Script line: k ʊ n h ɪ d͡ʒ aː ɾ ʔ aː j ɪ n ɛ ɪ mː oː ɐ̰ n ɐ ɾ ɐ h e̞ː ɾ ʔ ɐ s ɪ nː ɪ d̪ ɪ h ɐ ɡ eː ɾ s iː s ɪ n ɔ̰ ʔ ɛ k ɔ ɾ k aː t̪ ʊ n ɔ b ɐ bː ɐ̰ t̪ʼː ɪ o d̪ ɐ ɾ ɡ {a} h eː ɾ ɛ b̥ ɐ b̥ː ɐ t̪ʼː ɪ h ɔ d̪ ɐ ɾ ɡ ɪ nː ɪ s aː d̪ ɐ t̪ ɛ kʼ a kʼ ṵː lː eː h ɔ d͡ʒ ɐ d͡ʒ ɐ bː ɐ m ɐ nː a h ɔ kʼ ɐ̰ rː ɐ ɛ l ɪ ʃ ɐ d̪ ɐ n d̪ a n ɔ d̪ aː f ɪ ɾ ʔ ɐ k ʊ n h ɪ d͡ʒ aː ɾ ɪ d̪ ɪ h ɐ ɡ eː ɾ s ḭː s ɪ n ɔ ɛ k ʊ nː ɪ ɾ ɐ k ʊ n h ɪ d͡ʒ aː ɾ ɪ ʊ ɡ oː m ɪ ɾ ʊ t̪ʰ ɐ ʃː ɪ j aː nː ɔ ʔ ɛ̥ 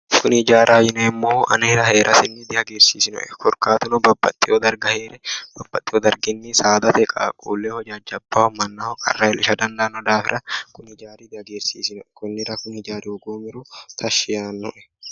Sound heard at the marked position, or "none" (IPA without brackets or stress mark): ɐ